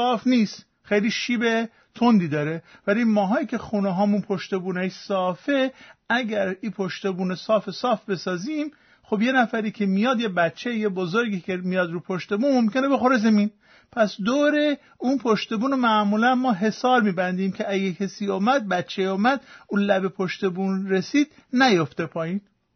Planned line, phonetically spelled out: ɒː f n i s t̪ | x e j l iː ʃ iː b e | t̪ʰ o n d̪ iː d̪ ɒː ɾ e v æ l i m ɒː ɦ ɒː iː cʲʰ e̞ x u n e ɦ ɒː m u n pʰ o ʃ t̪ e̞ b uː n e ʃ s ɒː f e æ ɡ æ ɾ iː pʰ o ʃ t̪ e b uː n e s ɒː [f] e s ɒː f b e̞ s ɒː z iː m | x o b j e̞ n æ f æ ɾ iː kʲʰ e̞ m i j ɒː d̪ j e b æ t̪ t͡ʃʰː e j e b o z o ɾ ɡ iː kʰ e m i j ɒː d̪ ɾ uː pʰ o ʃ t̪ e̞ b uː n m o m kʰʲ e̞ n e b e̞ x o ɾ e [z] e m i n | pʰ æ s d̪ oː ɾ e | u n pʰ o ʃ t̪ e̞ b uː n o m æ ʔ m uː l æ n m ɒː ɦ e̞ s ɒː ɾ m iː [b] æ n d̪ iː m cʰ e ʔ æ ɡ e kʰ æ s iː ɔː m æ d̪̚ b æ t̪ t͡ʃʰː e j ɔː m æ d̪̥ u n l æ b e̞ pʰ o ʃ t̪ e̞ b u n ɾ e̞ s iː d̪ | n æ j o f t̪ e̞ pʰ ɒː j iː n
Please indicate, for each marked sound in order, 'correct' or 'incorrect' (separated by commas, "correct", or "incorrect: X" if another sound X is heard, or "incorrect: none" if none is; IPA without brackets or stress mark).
correct, correct, correct